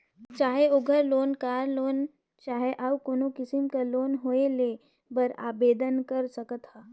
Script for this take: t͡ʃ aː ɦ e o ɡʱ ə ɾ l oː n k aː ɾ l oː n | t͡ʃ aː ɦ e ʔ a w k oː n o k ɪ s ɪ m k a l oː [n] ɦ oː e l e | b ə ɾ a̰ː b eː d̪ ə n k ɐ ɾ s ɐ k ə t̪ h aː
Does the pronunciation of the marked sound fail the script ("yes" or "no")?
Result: no